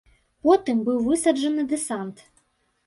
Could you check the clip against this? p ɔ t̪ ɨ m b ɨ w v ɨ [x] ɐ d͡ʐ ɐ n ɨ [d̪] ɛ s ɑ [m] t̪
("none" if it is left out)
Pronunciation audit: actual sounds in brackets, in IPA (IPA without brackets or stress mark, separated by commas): s, d̪, n